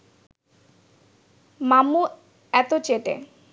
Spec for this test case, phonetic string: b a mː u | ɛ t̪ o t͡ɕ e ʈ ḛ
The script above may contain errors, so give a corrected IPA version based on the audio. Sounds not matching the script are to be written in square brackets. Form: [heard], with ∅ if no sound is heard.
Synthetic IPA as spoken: [m] a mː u | ɛ t̪ o t͡ɕ e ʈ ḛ